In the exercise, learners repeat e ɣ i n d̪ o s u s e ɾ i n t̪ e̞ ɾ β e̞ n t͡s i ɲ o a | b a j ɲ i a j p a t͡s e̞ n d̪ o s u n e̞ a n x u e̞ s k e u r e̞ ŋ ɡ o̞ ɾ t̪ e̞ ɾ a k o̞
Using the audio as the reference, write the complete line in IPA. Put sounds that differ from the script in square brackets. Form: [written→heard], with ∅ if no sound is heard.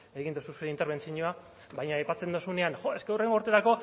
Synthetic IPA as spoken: e ɣ i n d̪ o s u s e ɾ i n t̪ e̞ ɾ β e̞ n t͡s i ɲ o a | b a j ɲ [i→a] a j p a t͡s e̞ n d̪ o s u n e̞ a n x [u→o] e̞ s k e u r e̞ ŋ ɡ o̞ ɾ t̪ e̞ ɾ a k o̞